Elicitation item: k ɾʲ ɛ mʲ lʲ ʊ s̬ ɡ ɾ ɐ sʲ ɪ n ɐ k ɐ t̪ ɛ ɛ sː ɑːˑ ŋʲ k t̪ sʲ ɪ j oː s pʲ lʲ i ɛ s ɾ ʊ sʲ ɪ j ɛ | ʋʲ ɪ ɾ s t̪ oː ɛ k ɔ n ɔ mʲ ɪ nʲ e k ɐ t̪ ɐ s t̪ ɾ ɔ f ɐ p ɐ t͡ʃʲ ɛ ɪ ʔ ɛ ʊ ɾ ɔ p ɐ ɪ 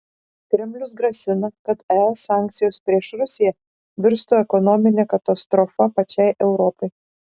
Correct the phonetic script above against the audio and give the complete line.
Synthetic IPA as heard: k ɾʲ ɛ mʲ lʲ ʊ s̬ ɡ ɾ ɐ sʲ ɪ n ɐ k ɐ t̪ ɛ ɛ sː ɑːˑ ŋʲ k t̪ sʲ ɪ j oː s pʲ ɾʲ i ɛ ʃ ɾ ʊ sʲ ɪ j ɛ | ʋʲ ɪ ɾ s t̪ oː ɛ k ɔ n ɔ mʲ ɪ nʲ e k ɐ t̪ ɐ s t̪ ɾ ɔ f ɐ p ɐ t͡ʃʲ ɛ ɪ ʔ ɛ ʊ ɾ ɔ p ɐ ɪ